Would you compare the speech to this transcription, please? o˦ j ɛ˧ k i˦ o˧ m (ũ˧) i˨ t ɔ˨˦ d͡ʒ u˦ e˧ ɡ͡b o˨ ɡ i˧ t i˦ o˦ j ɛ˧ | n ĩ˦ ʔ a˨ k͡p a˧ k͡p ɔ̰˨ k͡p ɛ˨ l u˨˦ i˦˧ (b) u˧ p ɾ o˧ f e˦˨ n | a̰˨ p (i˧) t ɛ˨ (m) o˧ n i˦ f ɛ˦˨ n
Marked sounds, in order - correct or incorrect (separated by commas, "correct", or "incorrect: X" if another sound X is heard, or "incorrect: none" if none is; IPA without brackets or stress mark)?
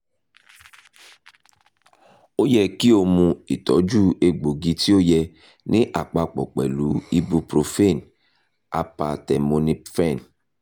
correct, correct, incorrect: a˧, correct